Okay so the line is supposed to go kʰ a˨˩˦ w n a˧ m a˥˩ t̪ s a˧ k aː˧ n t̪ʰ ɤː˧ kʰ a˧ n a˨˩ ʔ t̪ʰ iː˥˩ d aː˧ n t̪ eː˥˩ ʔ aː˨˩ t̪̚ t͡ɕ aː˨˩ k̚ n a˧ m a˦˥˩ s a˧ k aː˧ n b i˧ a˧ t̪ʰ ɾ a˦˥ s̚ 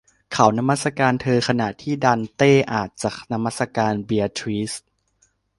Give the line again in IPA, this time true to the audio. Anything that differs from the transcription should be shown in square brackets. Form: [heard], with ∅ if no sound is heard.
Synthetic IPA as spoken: kʰ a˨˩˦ w n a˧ m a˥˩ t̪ s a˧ k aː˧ n t̪ʰ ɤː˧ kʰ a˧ n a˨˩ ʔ t̪ʰ iː˥˩ d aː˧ n t̪ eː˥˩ ʔ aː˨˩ t̪̚ t͡ɕ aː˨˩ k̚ n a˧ m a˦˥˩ s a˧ k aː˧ n b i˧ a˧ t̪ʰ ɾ [i˦˥] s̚